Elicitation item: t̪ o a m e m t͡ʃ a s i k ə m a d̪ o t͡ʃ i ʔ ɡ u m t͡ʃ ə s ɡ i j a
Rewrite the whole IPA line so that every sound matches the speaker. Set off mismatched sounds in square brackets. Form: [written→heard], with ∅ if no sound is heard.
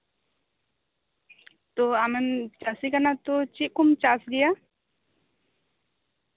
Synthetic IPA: t̪ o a m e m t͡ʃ a s i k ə [m→n] a [d̪→t̪] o t͡ʃ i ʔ [ɡ→k] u m t͡ʃ [ə→a] s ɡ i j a